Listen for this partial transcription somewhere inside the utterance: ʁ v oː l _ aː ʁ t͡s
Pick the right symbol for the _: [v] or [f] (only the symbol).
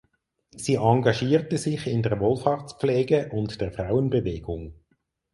f